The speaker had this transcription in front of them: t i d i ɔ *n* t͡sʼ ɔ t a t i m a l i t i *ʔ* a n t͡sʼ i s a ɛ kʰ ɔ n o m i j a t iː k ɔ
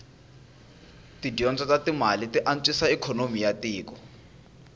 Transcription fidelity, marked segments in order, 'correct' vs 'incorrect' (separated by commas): correct, correct